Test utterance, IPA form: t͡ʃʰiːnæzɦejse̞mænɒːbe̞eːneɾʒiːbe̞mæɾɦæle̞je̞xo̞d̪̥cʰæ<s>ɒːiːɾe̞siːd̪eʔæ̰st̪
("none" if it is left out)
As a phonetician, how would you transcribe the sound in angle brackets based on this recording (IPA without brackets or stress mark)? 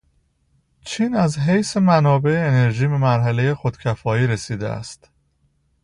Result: f